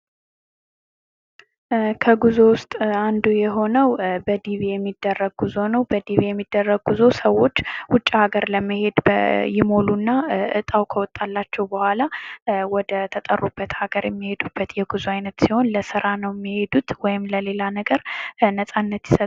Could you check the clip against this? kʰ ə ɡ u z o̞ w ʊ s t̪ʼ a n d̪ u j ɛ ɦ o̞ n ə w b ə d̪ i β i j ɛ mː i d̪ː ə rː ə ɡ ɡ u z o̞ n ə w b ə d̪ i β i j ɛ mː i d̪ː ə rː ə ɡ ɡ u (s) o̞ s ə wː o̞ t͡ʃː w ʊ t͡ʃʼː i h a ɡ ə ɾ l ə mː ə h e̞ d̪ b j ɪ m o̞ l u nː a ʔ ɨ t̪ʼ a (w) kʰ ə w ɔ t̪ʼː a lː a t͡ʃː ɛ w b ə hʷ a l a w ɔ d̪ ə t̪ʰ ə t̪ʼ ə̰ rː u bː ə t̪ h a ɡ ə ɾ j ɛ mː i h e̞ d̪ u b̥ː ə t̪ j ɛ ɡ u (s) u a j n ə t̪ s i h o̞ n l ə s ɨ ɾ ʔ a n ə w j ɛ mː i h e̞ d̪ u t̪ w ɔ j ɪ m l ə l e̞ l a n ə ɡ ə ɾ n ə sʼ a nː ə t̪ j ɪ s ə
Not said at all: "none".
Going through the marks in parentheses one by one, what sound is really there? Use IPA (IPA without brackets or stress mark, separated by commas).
z, w, z